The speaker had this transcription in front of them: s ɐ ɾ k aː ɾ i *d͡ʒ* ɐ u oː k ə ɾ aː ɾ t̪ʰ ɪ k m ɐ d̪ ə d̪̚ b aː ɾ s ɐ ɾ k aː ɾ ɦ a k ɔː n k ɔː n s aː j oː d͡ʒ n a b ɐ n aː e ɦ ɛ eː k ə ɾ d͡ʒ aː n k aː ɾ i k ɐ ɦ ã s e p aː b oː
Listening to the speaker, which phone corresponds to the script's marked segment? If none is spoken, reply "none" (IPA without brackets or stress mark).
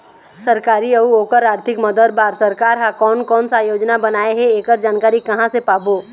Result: none